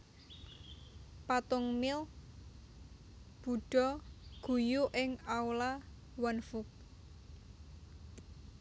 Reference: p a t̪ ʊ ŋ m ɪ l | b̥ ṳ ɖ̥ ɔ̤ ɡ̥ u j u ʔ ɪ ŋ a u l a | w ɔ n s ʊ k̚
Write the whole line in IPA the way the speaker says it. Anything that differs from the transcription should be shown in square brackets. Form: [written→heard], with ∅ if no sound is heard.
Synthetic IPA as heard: p a t̪ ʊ ŋ m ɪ l | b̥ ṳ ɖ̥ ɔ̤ ɡ̥ u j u ʔ ɪ ŋ a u l a | w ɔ n [s→f] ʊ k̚